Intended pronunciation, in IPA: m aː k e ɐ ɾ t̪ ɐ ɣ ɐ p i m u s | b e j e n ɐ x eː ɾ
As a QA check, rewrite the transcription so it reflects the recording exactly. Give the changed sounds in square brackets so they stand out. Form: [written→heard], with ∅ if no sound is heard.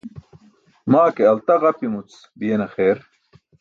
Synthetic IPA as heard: m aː k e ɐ [ɾ→l] t̪ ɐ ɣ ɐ p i m u [s→t͡s] | b [e→i] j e n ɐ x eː ɾ